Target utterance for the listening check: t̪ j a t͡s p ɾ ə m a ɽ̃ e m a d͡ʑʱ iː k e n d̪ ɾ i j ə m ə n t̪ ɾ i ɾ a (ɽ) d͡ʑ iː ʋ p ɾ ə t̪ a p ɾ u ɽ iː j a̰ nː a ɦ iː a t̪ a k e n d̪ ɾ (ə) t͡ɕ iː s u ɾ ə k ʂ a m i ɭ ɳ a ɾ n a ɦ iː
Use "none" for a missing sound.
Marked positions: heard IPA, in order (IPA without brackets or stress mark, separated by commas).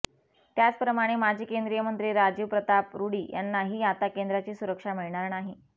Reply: none, a